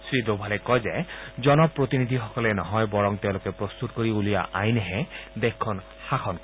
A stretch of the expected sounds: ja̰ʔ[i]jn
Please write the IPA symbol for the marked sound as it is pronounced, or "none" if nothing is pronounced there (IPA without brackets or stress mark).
a